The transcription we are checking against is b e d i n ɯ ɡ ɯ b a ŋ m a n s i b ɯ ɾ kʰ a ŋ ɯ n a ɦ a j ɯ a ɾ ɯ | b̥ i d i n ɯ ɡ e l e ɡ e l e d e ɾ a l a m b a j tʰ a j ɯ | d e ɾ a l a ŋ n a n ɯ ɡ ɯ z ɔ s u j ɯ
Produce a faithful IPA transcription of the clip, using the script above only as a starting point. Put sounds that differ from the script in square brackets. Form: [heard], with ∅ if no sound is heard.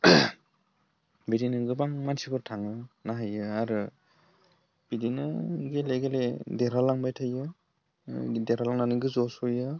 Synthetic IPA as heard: b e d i n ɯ ɡ ɯ b a ŋ m a n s i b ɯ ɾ [tʰ] a ŋ ɯ n a ɦ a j ɯ a ɾ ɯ | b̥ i d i n ɯ ɡ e l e ɡ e l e d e ɾ a l a [ŋ] b a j tʰ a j ɯ | d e ɾ a l a ŋ n a n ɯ ɡ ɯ z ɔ s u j ɯ

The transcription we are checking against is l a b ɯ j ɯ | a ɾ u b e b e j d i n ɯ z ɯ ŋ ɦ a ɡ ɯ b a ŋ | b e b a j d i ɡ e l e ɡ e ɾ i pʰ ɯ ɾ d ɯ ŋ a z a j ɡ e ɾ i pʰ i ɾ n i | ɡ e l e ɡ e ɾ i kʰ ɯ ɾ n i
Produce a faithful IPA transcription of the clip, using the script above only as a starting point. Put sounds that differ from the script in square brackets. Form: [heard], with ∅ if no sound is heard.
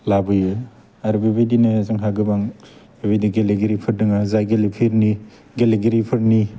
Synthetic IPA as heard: l a b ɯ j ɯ | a ɾ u b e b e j d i n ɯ z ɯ ŋ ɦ a ɡ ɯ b a ŋ | b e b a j d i ɡ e l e ɡ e ɾ i pʰ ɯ ɾ d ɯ ŋ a z a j ɡ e [l] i pʰ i ɾ n i | ɡ e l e ɡ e ɾ i [pʰ] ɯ ɾ n i

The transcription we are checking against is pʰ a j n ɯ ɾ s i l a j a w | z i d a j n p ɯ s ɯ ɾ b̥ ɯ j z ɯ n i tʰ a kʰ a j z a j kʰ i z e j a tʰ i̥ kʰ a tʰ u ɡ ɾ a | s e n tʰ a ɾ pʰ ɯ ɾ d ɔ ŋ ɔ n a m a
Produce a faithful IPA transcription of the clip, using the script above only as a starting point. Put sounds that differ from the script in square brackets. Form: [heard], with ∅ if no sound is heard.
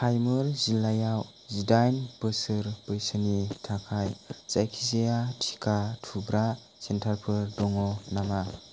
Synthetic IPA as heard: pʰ a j [m] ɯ ɾ [z] i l a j a w | z i d a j n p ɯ s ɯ ɾ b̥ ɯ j [s] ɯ n i tʰ a kʰ a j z a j kʰ i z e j a tʰ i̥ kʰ a tʰ u [b] ɾ a | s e n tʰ a ɾ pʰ ɯ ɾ d ɔ ŋ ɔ n a m a

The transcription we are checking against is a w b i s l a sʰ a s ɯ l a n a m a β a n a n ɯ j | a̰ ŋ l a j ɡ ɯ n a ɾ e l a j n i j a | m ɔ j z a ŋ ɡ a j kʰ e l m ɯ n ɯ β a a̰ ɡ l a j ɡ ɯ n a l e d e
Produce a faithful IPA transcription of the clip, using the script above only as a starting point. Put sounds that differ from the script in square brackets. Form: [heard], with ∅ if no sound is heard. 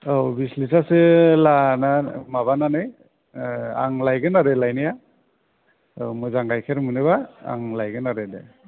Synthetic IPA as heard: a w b i s l [i] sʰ a s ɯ l a n a m a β a n a n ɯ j | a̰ ŋ l a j ɡ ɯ n a ɾ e l a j n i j a | m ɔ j z a ŋ ɡ a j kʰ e [ɾ] m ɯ n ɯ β a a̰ [ŋ] l a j ɡ ɯ n a [ɾ] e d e

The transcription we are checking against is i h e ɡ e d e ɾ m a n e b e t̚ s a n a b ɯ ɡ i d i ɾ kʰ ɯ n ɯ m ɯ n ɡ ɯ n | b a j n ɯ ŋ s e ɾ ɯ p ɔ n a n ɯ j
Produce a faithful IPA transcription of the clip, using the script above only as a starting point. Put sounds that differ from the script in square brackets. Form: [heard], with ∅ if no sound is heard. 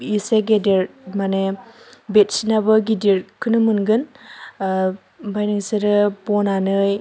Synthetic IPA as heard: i [s] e ɡ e d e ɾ m a n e b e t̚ s [i] n a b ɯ ɡ i d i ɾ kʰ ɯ n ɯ m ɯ n ɡ ɯ n | b a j n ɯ ŋ s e ɾ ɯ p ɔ n a n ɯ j

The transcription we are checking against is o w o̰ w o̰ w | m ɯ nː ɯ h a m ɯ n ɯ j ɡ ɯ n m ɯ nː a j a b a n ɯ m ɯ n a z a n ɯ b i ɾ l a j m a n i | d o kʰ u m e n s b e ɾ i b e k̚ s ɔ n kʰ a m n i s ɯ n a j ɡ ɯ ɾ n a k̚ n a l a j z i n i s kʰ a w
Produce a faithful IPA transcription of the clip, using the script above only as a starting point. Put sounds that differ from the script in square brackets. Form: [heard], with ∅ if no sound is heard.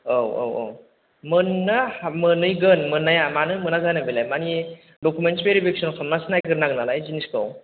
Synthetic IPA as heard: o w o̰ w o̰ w | m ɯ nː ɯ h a m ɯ n ɯ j ɡ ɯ n m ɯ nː a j a [m] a n ɯ m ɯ n a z a n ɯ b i [∅] l a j m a n i | d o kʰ u m e n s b e ɾ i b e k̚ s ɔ n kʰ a m n [a] s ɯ n a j ɡ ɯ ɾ n a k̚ n a l a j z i n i s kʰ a w

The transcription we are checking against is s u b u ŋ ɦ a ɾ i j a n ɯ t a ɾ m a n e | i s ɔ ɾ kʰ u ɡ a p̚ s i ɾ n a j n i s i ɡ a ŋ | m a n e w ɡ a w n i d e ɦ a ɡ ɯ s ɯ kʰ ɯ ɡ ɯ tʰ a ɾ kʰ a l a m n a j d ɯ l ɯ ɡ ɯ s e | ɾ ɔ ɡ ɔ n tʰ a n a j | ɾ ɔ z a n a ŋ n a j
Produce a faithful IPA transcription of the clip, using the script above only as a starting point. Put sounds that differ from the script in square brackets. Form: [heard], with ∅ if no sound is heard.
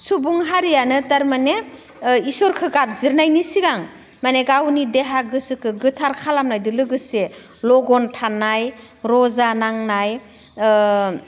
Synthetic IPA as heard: s u b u ŋ ɦ a ɾ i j a n ɯ t a ɾ m a n e | i s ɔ ɾ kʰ [ɯ] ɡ a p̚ [z] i ɾ n a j n i s i ɡ a ŋ | m a n e [∅] ɡ a w n i d e ɦ a ɡ ɯ s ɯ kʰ ɯ ɡ ɯ tʰ a ɾ kʰ a l a m n a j d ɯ l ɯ ɡ ɯ s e | [l] ɔ ɡ ɔ n tʰ a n a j | ɾ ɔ z a n a ŋ n a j

